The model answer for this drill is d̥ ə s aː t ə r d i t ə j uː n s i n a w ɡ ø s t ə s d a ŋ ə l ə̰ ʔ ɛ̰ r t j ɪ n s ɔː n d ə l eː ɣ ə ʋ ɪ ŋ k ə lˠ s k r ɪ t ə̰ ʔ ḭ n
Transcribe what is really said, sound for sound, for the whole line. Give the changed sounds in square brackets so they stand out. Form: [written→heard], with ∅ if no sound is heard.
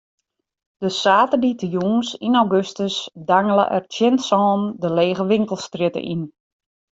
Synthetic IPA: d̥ ə s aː t ə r d i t ə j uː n s i n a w ɡ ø s t ə s d a ŋ ə l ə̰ ʔ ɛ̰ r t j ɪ n s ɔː n d ə l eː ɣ ə ʋ ɪ ŋ k ə lˠ s [k→t] r ɪ t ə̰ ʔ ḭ n